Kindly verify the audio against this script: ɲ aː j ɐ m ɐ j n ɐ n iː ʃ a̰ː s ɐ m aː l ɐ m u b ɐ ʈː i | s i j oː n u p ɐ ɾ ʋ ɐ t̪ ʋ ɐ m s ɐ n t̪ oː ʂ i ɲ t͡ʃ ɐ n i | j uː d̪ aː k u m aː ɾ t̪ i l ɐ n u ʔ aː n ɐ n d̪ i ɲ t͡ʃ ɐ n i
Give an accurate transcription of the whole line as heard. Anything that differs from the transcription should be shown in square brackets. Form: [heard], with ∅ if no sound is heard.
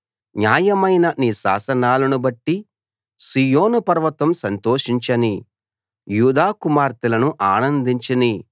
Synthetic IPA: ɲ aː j ɐ m ɐ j n ɐ n iː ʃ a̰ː s ɐ [n] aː l ɐ [n] u b ɐ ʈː i | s i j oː n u p ɐ ɾ ʋ ɐ t̪ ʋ ɐ m s ɐ n t̪ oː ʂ i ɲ t͡ʃ ɐ n i | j uː d̪ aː k u m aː ɾ t̪ i l ɐ n u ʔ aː n ɐ n d̪ i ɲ t͡ʃ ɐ n i